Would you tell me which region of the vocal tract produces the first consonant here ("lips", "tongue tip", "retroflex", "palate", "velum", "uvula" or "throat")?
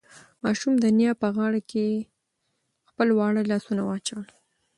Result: lips